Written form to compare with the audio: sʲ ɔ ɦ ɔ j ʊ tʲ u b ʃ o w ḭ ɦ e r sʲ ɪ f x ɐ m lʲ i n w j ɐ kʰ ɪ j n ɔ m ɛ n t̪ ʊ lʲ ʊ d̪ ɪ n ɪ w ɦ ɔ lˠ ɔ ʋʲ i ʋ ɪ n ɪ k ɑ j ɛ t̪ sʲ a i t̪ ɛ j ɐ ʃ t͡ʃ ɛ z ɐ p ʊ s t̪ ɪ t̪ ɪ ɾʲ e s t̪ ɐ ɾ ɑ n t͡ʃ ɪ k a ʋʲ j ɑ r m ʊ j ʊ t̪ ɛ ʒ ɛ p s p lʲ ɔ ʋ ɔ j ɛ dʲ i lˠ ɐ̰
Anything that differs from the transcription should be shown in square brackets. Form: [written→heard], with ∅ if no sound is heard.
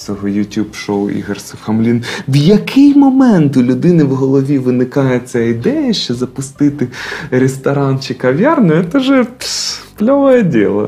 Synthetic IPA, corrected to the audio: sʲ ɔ ɦ ɔ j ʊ tʲ u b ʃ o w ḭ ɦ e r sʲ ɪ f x ɐ m lʲ i n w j ɐ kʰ ɪ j [n→m] ɔ m ɛ n t̪ ʊ lʲ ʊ d̪ ɪ n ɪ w ɦ ɔ lˠ ɔ ʋʲ i ʋ ɪ n ɪ k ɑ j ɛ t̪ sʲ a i [t̪→d̪] ɛ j ɐ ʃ t͡ʃ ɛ z ɐ p ʊ s t̪ ɪ t̪ ɪ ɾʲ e s t̪ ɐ ɾ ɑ n t͡ʃ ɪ k [a→ɐ] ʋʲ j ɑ r [m→n] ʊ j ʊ t̪ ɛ ʒ ɛ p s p lʲ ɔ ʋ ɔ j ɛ dʲ i lˠ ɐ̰